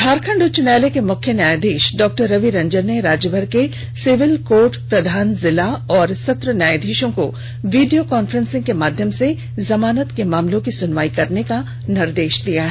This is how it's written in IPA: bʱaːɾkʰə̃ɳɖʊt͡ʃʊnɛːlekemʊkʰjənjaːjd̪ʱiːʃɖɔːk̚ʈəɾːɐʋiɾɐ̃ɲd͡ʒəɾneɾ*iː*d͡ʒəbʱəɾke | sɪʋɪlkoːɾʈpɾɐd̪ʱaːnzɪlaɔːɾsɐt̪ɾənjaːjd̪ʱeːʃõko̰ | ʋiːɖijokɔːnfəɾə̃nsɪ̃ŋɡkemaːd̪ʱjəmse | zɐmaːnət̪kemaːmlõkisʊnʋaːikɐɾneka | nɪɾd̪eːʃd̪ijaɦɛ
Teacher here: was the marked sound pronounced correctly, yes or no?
no